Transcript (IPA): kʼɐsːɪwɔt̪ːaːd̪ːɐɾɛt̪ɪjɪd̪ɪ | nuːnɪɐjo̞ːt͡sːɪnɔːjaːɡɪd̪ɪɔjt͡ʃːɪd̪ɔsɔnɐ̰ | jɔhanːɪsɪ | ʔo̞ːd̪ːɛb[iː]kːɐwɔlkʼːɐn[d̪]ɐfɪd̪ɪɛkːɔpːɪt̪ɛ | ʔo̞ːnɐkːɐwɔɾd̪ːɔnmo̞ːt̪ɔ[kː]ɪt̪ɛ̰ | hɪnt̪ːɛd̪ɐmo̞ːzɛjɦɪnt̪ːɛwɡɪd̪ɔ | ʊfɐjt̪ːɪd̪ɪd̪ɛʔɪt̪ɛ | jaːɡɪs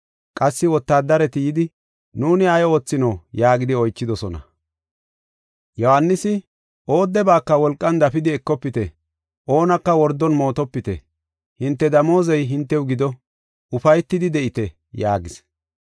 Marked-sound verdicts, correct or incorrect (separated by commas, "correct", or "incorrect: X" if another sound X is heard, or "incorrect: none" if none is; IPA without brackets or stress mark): incorrect: aː, correct, incorrect: pː